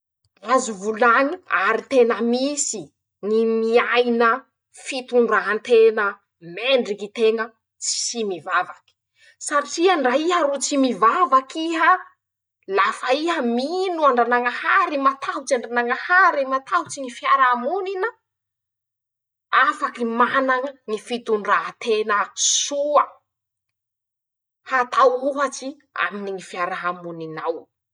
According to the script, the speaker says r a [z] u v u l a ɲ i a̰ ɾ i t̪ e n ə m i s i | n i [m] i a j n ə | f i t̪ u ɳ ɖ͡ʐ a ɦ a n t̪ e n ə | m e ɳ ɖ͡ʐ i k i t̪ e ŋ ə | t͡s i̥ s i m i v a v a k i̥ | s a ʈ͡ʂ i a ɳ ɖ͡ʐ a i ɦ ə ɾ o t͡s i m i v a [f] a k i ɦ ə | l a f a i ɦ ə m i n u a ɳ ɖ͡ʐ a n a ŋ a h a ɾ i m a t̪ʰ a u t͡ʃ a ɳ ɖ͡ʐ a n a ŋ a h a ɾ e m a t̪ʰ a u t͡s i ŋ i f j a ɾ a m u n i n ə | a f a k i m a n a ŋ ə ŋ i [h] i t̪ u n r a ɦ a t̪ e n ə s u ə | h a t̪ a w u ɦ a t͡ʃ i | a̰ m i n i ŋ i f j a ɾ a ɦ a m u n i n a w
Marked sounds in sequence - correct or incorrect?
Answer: correct, correct, incorrect: v, incorrect: f

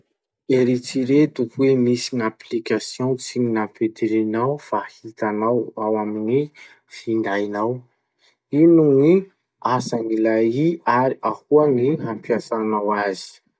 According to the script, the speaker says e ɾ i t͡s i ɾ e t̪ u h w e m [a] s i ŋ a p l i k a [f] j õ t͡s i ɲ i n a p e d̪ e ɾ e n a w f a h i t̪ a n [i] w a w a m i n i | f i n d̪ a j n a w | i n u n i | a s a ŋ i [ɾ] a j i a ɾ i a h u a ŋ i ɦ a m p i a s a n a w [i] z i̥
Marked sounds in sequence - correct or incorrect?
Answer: incorrect: i, incorrect: s, incorrect: a, incorrect: l, incorrect: a

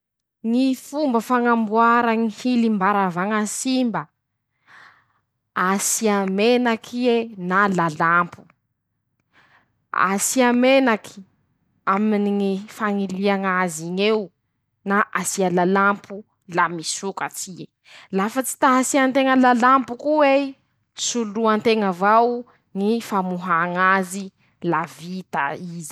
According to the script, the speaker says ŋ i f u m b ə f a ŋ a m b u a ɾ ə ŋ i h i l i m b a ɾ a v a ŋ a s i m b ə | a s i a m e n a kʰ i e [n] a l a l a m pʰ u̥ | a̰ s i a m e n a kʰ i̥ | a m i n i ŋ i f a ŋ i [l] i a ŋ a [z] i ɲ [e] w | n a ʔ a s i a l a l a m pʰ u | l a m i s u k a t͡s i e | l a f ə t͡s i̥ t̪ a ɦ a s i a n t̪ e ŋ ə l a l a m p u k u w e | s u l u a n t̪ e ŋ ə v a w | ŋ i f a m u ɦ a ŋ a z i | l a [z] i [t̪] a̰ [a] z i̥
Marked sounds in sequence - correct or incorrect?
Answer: correct, correct, correct, correct, incorrect: v, correct, incorrect: i

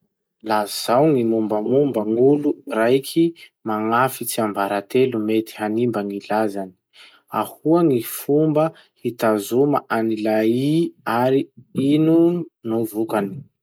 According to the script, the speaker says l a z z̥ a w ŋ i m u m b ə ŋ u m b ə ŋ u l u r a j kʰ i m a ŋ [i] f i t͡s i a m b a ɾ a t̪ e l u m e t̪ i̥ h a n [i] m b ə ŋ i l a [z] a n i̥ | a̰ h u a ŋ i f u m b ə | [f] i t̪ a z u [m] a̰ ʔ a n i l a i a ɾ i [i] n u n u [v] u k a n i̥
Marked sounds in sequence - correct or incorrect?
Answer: incorrect: a, correct, correct, incorrect: h, correct, correct, correct

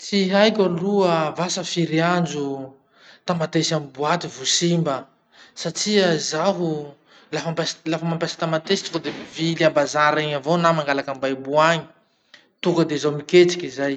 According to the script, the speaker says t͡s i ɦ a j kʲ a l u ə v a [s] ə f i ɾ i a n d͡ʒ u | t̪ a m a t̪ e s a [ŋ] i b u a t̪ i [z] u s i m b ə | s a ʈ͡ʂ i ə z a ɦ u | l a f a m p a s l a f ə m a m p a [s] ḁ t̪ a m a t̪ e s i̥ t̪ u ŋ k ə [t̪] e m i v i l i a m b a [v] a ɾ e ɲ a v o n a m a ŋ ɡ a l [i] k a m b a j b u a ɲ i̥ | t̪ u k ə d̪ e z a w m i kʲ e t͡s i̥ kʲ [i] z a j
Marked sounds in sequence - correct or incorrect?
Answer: correct, incorrect: m, incorrect: v, correct, incorrect: d̪, incorrect: z, incorrect: a, correct

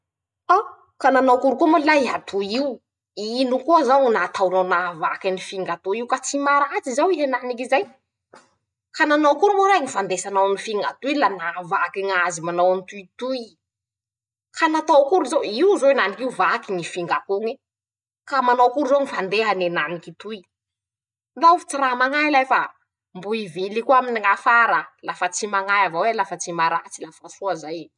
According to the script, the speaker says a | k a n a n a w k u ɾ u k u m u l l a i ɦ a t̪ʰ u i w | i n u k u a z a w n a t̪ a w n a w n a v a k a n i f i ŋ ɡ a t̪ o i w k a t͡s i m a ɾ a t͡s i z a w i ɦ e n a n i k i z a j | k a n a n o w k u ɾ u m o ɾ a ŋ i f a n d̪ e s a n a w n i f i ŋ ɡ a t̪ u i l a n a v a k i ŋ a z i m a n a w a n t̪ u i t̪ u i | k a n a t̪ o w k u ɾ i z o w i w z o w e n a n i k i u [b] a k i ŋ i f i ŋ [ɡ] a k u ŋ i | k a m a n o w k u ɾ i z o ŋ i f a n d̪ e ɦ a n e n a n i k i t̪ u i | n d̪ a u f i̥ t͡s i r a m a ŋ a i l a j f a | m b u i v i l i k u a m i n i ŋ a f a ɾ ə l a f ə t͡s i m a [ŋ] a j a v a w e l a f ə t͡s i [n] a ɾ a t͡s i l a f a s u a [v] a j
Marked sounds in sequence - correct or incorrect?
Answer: incorrect: v, correct, correct, incorrect: m, incorrect: z

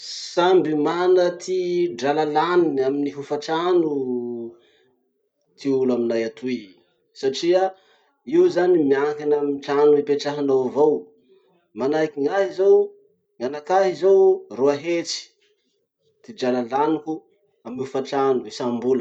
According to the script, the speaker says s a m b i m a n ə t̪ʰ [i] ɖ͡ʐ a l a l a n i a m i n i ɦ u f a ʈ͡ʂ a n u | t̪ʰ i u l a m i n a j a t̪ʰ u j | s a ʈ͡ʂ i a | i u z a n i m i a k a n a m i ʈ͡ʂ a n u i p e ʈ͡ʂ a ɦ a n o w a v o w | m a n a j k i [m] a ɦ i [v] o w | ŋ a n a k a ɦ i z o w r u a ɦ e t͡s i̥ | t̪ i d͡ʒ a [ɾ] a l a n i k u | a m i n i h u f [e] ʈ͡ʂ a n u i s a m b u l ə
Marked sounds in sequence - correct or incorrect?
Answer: correct, incorrect: ŋ, incorrect: z, incorrect: l, incorrect: a

